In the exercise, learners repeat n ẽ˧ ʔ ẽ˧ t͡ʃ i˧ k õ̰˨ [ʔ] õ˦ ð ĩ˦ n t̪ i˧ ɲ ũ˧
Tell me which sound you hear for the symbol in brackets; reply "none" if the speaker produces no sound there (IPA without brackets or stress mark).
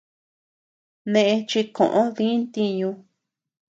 ʔ